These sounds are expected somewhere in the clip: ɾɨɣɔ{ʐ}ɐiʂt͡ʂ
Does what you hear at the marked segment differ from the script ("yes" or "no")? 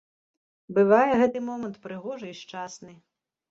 no